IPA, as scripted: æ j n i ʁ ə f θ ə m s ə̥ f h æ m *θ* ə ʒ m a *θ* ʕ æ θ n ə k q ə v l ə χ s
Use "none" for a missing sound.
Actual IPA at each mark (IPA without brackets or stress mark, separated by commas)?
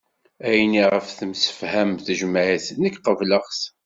θ, none